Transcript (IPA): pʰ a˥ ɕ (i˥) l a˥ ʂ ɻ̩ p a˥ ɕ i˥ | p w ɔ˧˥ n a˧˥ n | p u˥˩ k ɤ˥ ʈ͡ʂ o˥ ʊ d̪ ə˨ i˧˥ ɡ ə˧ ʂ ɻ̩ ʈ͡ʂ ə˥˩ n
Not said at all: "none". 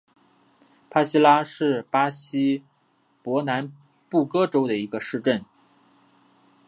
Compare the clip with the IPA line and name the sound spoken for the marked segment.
i˥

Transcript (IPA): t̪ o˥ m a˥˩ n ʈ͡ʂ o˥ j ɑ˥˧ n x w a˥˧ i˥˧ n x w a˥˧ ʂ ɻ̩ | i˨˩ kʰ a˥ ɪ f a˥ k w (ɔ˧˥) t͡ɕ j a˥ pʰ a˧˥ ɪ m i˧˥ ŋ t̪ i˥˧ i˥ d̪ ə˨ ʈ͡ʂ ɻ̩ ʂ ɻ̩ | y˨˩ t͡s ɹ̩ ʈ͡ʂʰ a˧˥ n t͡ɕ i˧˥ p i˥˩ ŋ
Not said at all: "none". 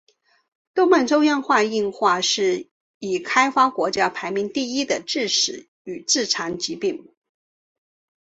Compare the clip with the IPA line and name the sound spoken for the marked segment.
ɔ˧˥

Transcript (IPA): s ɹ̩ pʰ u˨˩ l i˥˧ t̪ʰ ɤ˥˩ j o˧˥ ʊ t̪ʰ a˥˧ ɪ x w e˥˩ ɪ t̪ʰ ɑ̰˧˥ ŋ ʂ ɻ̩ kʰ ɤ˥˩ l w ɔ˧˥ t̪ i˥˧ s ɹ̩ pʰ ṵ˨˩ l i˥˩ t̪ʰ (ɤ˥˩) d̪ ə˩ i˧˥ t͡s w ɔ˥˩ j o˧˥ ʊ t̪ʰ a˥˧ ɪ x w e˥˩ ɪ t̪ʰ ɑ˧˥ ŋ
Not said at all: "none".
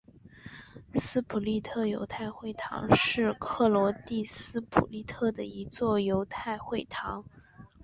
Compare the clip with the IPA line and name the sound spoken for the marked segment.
ɤ˥˩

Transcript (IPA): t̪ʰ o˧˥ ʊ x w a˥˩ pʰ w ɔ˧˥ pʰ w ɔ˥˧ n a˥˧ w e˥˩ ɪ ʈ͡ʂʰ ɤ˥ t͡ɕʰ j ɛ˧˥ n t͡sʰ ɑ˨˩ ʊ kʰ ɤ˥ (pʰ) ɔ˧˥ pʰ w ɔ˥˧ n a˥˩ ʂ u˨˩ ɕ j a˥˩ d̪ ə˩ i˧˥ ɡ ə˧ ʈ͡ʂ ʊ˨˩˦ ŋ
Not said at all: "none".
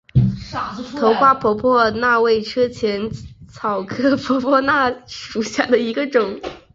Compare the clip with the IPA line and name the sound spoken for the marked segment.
pʰ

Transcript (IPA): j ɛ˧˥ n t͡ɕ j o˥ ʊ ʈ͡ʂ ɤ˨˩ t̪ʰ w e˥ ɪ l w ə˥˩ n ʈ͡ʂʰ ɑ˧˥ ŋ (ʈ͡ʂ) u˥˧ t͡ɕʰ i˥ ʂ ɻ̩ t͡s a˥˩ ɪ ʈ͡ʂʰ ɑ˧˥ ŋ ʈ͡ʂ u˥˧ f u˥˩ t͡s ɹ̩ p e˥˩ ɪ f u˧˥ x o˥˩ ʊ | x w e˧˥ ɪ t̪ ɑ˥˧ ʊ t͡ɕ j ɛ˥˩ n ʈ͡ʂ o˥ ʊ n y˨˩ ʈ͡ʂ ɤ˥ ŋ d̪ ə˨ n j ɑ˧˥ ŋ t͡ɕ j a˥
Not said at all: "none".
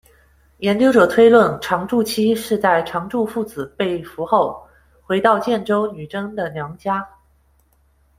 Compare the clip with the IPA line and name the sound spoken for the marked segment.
ʈ͡ʂ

